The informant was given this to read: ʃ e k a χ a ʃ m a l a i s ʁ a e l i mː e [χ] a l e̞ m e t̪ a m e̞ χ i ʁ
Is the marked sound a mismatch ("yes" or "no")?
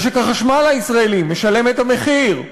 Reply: yes